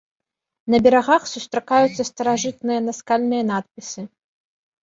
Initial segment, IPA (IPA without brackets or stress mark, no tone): n